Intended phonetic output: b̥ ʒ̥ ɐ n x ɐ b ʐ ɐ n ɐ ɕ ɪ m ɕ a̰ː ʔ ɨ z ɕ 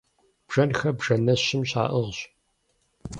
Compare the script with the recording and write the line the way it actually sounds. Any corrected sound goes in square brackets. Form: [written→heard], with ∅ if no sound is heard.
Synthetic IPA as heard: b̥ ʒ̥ ɐ n x ɐ b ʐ ɐ n ɐ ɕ ɪ m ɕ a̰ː ʔ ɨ [z→ʁ] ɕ